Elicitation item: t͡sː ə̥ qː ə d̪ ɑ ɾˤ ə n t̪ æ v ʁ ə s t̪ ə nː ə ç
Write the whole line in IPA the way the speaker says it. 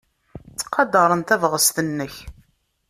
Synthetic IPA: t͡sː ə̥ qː ɑ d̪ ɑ ɾˤ ə n t̪ æ v ʁ ə s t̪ ə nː ə ç